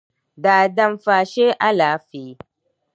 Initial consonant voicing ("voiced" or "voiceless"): voiced